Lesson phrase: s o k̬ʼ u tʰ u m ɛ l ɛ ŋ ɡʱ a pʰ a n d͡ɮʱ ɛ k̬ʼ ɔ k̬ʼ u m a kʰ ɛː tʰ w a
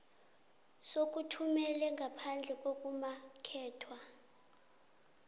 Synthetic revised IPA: s o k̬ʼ u tʰ u m ɛ l ɛ ŋ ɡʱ a pʰ a n d͡ɮʱ ɛ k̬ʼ o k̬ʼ u m a kʰ ɛː tʰ w a